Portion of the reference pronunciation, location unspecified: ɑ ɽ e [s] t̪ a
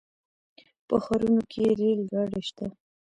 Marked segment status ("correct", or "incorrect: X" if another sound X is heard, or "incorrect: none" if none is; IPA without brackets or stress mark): incorrect: ʃ